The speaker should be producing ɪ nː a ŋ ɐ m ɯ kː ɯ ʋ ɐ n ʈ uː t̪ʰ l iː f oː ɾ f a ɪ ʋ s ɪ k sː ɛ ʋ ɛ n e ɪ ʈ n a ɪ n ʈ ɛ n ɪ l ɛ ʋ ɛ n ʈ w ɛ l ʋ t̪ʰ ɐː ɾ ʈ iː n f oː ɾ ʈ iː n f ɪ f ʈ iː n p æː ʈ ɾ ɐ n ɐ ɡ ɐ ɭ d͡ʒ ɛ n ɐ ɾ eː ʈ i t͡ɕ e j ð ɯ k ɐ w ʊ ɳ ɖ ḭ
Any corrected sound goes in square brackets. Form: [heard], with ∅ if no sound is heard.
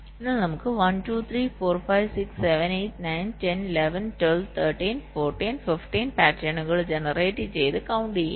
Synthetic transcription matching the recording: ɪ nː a [n] ɐ m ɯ kː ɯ ʋ ɐ n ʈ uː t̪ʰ [ɾ] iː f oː ɾ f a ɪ ʋ s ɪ k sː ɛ ʋ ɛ n e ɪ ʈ n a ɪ n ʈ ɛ n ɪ l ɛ ʋ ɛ n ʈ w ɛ l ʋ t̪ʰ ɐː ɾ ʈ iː n f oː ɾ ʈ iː n f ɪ f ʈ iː n p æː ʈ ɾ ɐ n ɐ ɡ ɐ ɭ d͡ʒ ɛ n ɐ ɾ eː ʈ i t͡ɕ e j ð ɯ k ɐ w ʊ ɳ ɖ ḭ